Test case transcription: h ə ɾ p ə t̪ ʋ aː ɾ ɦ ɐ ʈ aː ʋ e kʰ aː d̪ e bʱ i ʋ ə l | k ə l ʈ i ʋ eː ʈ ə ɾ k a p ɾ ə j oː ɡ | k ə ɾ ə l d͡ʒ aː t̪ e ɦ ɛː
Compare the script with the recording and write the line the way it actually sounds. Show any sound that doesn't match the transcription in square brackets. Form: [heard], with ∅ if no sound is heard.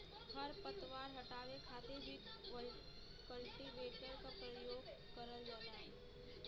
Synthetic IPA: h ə ɾ p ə t̪ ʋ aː ɾ ɦ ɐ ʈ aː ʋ e kʰ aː [t̪] e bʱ i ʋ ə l | k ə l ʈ i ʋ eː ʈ ə ɾ k a p ɾ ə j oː ɡ | k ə ɾ ə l d͡ʒ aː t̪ [a] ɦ ɛː